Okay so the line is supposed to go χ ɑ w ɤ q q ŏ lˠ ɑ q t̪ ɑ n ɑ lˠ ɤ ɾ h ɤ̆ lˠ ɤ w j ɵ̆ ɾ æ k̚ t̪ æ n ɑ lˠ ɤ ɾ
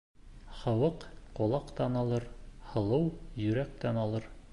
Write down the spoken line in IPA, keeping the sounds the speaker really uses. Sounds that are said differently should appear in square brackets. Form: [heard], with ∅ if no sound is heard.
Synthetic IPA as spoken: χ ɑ w ɤ q q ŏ lˠ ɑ q t̪ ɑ n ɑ lˠ ɤ ɾ h ɤ̆ lˠ ɤ w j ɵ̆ ɾ æ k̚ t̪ æ n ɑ lˠ ɤ ɾ